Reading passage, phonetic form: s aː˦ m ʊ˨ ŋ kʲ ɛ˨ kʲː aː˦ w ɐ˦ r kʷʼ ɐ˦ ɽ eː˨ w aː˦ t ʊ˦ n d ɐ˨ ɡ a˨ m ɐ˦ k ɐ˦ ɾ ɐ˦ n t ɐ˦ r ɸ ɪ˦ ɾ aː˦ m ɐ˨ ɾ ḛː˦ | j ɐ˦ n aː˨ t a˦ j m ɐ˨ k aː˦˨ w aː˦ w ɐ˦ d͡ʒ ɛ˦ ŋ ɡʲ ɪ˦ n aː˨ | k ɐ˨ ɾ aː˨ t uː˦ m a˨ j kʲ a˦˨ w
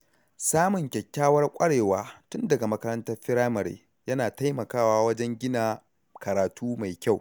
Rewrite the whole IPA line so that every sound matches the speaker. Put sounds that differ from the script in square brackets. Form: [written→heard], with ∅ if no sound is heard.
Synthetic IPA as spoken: s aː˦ m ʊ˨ ŋ kʲ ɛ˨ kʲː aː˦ w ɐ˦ r kʷʼ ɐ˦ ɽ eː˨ w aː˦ t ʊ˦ n d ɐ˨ ɡ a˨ m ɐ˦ k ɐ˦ ɾ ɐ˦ n t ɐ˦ r ɸ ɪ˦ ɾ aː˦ m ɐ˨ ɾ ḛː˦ | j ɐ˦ n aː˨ t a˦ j m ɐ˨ k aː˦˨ w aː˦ w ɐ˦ d͡ʒ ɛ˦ ŋ ɡʲ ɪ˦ n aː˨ | k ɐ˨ ɾ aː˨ t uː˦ m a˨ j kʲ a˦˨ w